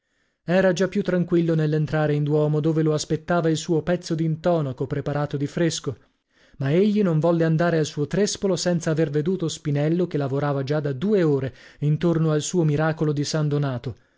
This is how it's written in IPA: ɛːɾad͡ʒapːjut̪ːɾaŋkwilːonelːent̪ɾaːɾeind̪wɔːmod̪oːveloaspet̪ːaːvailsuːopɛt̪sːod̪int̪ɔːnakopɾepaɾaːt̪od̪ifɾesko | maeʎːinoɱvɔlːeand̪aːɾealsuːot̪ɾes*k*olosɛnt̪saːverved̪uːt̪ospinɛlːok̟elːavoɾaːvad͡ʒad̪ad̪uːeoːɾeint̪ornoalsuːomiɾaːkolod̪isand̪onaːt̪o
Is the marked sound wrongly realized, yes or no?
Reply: yes